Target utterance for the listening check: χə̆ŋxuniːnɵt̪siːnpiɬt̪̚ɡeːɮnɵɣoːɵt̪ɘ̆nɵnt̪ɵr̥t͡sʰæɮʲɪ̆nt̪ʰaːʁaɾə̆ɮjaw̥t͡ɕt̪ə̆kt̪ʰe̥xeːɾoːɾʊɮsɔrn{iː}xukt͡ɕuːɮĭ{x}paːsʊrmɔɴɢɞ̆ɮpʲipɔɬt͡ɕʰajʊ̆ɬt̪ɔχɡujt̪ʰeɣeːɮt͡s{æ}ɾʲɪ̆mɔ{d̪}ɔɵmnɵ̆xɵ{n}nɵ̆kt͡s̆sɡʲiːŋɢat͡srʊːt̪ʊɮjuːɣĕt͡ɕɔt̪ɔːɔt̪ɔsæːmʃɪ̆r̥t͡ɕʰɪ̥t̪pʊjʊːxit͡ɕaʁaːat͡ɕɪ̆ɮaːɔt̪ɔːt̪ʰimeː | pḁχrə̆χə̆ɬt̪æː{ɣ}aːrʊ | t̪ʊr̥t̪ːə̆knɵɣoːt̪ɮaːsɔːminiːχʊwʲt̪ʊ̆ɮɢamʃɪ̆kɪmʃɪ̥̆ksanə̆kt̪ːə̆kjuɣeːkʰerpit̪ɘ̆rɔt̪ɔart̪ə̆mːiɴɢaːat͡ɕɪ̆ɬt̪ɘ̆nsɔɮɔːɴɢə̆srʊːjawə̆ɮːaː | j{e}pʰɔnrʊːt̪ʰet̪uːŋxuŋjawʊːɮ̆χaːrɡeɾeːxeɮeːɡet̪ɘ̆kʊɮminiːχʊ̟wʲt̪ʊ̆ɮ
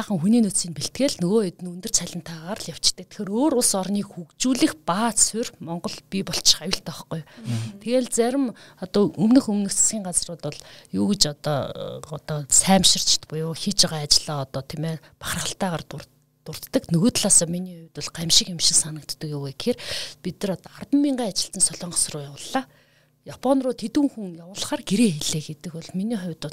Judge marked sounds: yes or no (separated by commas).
yes, yes, yes, no, no, no, no